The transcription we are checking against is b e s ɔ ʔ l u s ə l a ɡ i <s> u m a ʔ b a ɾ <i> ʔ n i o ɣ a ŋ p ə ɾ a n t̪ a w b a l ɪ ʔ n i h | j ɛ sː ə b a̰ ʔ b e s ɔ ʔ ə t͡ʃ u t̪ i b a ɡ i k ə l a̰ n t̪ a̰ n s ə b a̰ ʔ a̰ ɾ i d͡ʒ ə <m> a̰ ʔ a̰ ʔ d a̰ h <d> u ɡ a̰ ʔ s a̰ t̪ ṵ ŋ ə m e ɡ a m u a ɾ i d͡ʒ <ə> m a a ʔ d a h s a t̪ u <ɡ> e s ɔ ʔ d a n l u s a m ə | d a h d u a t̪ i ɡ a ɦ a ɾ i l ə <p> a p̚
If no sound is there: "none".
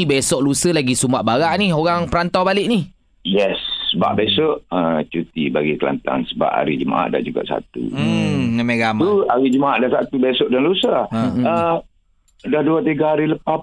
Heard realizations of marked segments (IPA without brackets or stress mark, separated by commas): s, a, m, d͡ʒ, ə, b, p